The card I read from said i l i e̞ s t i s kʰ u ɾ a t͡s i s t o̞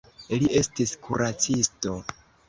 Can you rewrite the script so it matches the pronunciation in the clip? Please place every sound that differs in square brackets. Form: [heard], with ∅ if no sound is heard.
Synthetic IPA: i l i e̞ s t i s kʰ u ɾ a t͡s i s t o̞